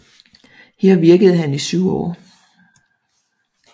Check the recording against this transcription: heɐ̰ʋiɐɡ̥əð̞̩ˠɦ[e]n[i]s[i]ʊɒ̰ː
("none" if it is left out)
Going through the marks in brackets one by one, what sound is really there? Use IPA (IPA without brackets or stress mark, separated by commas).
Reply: æ, i, y